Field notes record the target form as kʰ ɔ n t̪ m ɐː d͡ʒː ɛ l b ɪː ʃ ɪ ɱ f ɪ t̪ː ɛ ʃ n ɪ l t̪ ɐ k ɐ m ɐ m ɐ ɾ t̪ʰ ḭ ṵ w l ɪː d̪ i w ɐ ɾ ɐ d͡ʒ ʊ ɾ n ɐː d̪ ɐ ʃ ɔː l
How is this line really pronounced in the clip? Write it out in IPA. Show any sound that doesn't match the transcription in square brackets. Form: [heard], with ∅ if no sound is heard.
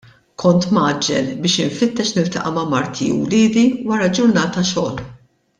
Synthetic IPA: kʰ ɔ n t̪ m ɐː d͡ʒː ɛ l b ɪː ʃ ɪ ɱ f ɪ t̪ː ɛ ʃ n ɪ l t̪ ɐ [ʔ] ɐ m ɐ m ɐ ɾ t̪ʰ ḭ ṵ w l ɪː d̪ i w ɐ ɾ ɐ d͡ʒ ʊ ɾ n ɐː [t̪] ɐ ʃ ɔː l